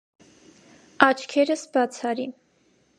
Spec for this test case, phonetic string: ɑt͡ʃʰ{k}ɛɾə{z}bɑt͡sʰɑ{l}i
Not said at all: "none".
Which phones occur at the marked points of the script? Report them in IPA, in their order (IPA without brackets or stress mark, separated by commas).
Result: kʰ, s, ɾ